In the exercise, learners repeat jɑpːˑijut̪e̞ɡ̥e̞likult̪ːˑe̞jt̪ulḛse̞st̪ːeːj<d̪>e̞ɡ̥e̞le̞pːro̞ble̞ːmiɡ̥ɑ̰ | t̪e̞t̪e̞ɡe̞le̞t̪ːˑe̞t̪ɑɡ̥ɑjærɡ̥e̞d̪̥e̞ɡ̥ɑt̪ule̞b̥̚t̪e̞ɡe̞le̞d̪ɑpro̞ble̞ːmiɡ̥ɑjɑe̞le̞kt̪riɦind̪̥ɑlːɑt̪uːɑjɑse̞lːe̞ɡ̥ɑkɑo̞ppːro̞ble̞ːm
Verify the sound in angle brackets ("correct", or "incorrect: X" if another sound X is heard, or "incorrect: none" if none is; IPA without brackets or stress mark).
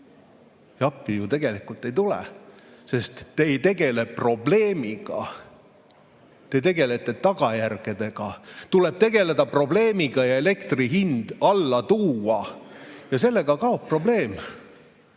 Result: incorrect: t̪